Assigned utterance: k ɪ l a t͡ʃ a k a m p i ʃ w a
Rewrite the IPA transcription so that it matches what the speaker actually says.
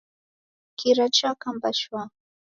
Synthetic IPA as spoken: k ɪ ɾ a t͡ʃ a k a m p a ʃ w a